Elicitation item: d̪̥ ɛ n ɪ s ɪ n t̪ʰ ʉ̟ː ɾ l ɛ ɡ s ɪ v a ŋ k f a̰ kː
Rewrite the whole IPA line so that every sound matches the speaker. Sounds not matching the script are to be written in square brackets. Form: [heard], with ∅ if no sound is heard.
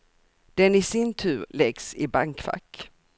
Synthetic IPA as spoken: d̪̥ ɛ n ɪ s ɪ n t̪ʰ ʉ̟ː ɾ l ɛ ɡ s ɪ [b] a ŋ k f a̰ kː